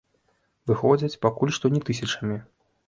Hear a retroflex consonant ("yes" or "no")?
yes